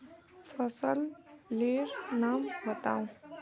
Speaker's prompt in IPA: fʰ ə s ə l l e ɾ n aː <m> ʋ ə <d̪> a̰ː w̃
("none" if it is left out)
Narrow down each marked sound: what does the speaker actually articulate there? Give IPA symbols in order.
m, t̪

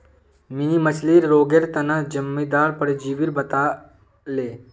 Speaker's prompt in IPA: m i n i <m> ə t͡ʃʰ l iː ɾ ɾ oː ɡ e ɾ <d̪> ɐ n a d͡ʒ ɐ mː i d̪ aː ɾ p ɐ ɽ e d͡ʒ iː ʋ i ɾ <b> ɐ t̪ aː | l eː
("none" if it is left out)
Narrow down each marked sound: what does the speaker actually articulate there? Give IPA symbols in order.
m, t̪, b

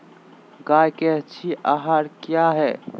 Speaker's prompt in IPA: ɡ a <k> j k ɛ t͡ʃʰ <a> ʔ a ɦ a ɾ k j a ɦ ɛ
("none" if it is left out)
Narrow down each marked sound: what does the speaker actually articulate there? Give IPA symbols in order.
none, i

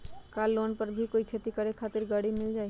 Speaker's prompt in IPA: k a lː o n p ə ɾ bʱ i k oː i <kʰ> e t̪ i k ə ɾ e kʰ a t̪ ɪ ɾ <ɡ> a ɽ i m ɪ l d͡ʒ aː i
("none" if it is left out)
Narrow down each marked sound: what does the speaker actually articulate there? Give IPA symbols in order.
kʰ, ɡ

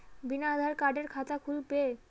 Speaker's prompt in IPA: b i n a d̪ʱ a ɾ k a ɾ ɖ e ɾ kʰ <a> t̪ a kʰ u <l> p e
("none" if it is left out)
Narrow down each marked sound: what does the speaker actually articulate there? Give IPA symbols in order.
a, l

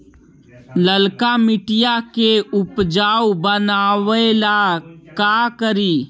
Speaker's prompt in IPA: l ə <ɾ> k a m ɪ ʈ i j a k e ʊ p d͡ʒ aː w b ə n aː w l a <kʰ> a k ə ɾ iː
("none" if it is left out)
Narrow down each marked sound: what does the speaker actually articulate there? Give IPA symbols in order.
l, k

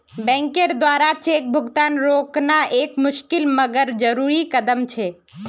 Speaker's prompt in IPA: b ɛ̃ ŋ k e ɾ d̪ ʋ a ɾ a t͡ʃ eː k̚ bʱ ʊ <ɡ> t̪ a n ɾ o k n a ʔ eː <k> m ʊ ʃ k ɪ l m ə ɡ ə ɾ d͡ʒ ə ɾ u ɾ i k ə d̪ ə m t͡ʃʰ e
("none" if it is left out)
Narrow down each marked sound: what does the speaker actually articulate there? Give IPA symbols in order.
ɡ, k

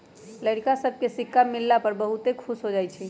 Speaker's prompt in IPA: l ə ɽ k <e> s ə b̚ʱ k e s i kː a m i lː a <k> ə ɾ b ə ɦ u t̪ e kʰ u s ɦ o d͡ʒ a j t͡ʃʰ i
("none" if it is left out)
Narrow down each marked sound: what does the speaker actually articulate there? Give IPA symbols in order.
a, p

